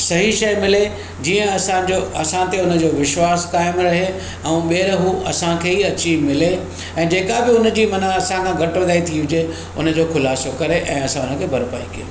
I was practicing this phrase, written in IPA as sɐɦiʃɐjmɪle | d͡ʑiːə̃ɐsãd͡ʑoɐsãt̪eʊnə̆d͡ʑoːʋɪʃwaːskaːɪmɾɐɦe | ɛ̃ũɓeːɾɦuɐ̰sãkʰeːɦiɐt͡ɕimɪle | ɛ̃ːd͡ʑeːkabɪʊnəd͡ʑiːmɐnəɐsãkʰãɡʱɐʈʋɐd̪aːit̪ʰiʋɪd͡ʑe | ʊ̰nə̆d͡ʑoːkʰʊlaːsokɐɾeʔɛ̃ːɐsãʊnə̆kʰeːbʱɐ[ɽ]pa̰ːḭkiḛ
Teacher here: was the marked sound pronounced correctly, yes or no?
no